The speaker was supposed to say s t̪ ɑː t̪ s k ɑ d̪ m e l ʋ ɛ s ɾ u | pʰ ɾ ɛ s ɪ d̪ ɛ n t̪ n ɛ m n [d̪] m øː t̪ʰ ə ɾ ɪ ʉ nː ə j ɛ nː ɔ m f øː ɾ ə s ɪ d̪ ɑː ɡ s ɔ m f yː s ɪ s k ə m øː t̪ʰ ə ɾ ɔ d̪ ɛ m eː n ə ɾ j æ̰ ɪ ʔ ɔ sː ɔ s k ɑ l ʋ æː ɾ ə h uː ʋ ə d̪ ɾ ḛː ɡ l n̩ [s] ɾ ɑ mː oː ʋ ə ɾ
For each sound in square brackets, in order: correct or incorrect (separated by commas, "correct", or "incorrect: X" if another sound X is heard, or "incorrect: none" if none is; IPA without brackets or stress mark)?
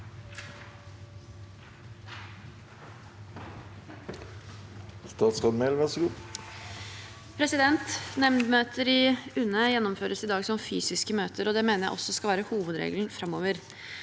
correct, incorrect: f